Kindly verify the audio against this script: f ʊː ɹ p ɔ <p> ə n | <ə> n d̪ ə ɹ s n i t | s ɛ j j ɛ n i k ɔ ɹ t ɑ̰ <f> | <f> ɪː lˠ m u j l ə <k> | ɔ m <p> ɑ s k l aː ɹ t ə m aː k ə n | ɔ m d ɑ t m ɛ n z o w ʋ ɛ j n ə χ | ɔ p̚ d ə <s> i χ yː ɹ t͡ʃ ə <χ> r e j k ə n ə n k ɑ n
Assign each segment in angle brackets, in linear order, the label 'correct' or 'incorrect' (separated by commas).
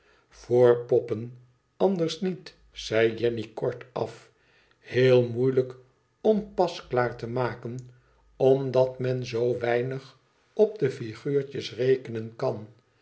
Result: correct, incorrect, correct, incorrect, correct, correct, incorrect, incorrect